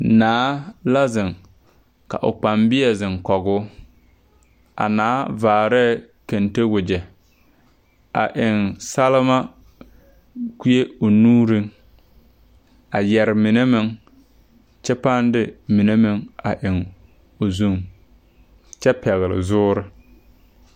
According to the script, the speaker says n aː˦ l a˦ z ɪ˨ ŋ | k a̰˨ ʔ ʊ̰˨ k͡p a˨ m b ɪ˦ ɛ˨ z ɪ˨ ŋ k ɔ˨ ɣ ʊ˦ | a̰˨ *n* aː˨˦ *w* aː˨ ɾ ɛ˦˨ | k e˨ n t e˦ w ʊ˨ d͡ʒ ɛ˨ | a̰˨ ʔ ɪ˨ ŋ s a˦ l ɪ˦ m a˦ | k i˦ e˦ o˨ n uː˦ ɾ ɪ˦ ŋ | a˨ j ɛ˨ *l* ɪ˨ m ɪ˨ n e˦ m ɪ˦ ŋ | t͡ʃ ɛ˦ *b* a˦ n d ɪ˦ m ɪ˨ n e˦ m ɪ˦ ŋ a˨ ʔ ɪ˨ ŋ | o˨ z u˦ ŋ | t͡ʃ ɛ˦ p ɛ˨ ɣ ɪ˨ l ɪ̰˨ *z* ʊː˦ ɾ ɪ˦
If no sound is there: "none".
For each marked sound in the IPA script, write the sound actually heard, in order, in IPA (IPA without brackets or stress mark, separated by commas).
n, v, ɾ, p, z